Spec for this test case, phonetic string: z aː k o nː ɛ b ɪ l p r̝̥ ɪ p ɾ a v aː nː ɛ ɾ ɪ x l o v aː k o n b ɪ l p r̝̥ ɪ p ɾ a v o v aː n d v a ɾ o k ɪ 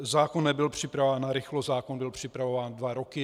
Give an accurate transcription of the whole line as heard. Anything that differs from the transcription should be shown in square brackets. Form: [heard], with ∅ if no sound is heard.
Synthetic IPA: z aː k o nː ɛ b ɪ l p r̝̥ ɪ p ɾ a v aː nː [a] ɾ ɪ x l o [z] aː k o n b ɪ l p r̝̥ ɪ p ɾ a v o v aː n d v a ɾ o k ɪ